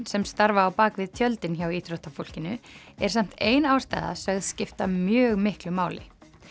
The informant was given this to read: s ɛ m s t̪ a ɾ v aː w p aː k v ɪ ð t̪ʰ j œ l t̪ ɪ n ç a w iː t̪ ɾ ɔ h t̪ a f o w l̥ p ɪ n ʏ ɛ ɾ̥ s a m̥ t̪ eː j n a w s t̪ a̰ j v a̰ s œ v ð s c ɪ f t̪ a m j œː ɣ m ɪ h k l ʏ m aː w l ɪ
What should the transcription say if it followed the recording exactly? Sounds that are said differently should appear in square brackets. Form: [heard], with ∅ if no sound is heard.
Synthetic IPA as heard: s ɛ m s t̪ a ɾ v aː w p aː k v ɪ ð t̪ʰ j œ l t̪ ɪ n ç a w iː t̪ ɾ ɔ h t̪ a f o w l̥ [c] ɪ n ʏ ɛ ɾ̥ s a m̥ t̪ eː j n a w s t̪ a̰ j [ð] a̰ s œ [ɣ] ð s c ɪ f t̪ a m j œː ɣ m ɪ h k l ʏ m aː w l ɪ